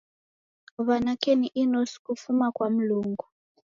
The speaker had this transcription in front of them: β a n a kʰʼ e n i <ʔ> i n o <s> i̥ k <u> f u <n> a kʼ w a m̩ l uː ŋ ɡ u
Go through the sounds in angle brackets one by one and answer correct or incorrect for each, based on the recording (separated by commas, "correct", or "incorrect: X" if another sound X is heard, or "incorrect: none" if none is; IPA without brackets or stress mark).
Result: correct, correct, correct, incorrect: m